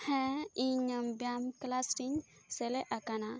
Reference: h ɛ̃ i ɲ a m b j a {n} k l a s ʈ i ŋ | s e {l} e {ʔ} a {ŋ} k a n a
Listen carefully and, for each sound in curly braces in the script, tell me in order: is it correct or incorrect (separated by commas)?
incorrect, correct, correct, incorrect